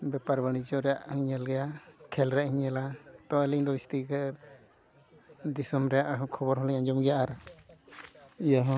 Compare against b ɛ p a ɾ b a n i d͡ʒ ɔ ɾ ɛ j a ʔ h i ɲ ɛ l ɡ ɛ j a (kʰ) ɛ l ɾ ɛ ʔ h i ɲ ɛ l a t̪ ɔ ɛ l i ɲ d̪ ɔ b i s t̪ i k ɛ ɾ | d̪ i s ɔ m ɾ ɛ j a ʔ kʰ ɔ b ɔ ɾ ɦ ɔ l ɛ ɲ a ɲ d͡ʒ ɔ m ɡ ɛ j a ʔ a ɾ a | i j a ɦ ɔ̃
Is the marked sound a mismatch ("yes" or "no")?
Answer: no